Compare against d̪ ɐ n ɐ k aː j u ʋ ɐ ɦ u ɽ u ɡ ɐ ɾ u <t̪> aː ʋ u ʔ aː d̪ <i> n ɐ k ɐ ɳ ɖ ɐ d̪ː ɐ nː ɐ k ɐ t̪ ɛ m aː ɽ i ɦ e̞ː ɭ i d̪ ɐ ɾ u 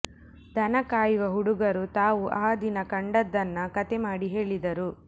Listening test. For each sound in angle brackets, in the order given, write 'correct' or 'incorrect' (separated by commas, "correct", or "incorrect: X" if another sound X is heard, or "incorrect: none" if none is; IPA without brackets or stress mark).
correct, correct